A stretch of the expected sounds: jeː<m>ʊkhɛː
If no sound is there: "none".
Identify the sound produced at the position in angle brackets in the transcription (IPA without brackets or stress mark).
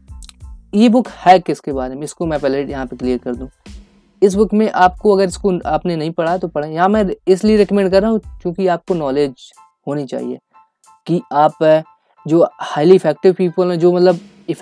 b